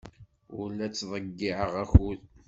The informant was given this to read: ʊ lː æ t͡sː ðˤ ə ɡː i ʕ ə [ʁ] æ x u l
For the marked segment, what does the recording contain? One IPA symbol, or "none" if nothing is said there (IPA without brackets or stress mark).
ʁ